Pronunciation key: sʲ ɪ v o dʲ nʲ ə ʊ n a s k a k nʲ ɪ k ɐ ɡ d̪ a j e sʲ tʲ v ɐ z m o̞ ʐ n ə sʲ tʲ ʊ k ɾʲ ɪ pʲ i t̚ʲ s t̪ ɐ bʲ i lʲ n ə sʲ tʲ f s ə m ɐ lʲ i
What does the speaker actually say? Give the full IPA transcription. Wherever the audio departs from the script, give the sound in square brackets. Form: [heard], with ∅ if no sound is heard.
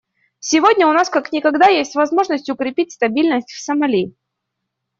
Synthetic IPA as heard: sʲ ɪ v o dʲ nʲ ə ʊ n a s k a k nʲ ɪ k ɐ ɡ d̪ a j e sʲ tʲ v ɐ z m o̞ ʐ n ə sʲ tʲ ʊ k ɾʲ ɪ pʲ i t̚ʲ s t̪ ɐ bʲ i lʲ n ə sʲ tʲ f s ə m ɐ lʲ i